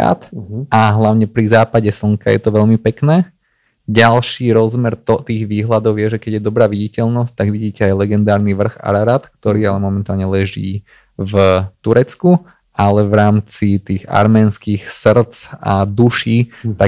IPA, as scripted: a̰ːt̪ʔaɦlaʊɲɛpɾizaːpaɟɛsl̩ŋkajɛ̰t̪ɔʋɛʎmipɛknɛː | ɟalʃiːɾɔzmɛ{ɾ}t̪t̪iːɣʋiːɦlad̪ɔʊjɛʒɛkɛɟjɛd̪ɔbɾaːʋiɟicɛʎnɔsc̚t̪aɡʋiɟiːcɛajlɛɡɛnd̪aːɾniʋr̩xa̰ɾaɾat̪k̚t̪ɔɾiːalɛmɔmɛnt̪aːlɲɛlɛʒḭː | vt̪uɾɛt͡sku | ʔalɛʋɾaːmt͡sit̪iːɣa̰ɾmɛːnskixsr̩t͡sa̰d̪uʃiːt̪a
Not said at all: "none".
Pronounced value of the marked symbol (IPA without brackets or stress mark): ɾ